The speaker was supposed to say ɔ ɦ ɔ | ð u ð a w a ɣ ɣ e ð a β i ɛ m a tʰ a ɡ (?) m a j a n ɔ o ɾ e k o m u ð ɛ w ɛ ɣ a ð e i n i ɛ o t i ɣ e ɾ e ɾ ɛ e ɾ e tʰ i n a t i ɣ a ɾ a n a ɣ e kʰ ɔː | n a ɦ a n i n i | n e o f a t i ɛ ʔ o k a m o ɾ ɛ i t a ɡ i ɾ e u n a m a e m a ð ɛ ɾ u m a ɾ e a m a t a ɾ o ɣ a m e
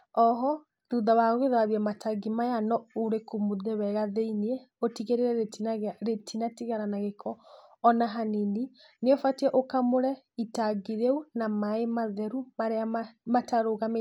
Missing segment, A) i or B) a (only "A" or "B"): A